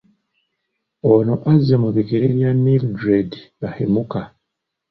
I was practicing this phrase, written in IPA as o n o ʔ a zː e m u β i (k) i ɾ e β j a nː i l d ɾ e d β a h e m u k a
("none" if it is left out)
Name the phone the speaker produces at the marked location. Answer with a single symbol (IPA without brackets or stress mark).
k